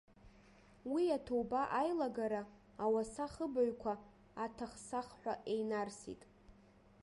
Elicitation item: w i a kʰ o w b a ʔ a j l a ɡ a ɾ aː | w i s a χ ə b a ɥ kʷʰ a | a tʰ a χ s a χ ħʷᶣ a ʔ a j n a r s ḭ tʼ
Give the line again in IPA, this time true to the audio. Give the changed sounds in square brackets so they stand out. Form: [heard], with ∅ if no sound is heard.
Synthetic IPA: w i a [tʰ] o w b a ʔ a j l a ɡ a ɾ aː | w [a] s a χ ə b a ɥ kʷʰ a | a tʰ a χ s a χ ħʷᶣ a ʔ [e] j n a r s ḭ tʼ